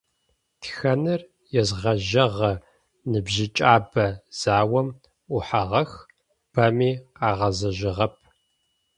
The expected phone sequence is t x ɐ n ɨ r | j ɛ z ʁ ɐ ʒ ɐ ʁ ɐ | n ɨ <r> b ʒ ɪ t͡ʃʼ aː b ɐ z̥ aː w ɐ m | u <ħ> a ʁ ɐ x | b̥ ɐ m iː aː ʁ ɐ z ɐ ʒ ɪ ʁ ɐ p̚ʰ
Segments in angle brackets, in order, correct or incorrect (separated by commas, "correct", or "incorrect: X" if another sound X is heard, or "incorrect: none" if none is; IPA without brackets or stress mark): incorrect: none, correct